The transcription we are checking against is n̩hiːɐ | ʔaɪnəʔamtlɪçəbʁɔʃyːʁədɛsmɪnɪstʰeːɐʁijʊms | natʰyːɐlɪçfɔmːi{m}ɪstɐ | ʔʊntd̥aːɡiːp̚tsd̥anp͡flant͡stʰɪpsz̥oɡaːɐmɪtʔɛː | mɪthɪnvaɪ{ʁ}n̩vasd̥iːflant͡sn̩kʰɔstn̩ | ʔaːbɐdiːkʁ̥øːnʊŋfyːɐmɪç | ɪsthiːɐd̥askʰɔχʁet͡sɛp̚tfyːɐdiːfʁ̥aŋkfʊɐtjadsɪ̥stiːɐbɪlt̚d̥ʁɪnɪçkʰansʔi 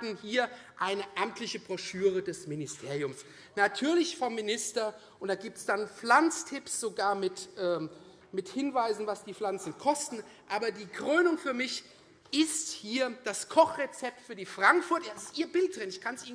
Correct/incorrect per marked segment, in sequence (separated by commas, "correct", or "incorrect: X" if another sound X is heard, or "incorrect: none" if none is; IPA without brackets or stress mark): incorrect: n, incorrect: z